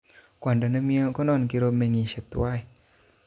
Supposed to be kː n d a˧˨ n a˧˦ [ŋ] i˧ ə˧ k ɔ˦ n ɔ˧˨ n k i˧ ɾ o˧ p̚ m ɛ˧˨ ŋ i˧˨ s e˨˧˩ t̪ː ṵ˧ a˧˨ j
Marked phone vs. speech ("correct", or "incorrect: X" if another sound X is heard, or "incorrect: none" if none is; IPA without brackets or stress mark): incorrect: m